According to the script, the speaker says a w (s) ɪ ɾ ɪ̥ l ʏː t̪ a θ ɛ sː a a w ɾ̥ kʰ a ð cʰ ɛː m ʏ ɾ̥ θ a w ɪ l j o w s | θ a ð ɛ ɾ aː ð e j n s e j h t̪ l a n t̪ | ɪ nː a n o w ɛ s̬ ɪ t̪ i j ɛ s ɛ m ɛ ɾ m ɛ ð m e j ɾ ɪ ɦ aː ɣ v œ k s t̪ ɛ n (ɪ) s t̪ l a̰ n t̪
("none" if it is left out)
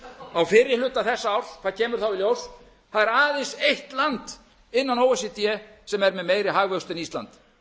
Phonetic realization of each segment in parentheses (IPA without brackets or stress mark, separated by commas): f, i